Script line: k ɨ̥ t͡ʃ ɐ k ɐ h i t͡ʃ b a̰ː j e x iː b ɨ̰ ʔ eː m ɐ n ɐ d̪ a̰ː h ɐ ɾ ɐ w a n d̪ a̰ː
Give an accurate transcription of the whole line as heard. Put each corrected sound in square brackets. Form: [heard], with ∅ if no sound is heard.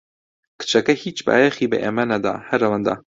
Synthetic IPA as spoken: k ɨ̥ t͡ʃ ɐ k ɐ h i t͡ʃ b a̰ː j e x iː b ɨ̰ ʔ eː m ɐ n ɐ d̪ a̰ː h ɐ ɾ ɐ w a n d̪ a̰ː